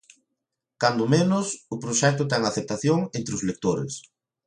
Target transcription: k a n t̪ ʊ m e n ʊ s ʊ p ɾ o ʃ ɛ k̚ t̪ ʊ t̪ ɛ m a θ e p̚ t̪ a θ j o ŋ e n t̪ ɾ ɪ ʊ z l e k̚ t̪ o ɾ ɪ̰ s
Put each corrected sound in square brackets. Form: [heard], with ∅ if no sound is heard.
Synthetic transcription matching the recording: k a n [d̪] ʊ m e n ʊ s ʊ p ɾ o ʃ ɛ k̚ t̪ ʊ t̪ ɛ [ŋ] a θ e p̚ t̪ a θ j o ŋ e n t̪ ɾ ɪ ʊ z l e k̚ t̪ o ɾ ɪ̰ s